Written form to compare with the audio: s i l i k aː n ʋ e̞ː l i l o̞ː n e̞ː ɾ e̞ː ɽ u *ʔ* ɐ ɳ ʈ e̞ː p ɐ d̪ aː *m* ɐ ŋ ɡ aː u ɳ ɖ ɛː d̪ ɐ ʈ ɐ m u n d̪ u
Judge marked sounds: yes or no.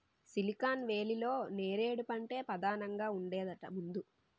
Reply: no, no

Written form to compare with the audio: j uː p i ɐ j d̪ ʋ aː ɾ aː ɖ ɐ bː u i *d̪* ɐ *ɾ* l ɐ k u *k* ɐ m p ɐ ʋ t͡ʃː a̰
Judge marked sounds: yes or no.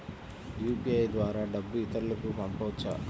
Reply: no, yes, no

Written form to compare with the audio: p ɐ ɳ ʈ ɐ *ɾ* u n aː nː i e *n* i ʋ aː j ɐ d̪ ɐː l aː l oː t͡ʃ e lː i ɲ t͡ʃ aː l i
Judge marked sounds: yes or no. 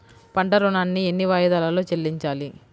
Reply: yes, no

